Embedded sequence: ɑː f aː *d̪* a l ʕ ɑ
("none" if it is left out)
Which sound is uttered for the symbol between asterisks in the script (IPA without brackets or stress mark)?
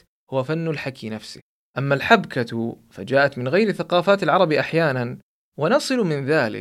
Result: t̪